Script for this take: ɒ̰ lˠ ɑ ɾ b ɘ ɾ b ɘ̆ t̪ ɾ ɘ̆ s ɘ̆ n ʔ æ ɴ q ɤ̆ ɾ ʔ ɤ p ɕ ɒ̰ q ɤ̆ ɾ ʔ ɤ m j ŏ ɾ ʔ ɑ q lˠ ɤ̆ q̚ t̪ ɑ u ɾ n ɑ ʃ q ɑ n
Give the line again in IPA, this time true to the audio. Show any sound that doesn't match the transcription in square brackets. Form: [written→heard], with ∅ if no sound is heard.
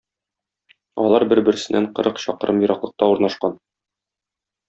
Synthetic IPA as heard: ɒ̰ lˠ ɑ ɾ b ɘ ɾ b ɘ̆ [t̪→∅] ɾ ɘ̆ s ɘ̆ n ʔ æ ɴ q ɤ̆ ɾ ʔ ɤ [p→q] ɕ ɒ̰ q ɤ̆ ɾ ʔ ɤ m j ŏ ɾ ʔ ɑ q lˠ ɤ̆ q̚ t̪ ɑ u ɾ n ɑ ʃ q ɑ n